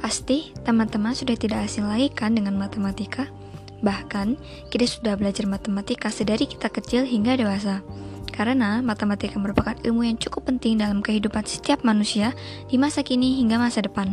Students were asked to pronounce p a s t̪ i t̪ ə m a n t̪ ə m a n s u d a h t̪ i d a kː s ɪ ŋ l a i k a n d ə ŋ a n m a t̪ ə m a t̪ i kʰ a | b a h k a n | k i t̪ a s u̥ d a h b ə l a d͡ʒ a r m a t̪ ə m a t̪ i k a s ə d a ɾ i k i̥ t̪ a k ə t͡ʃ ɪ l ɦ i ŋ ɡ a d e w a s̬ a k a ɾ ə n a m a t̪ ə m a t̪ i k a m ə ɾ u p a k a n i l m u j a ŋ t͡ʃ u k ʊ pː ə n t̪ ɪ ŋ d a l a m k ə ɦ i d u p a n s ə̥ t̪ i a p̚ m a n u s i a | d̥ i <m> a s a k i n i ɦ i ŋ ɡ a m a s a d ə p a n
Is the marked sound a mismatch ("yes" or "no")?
no